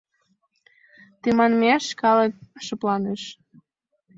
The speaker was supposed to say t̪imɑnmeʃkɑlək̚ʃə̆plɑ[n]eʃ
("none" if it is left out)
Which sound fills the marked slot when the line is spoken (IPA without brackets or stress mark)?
n